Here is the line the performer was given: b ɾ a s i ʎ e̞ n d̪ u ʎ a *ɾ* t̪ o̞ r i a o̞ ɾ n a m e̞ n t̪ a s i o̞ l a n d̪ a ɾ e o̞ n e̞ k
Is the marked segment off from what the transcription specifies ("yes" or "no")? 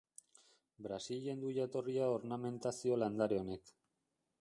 yes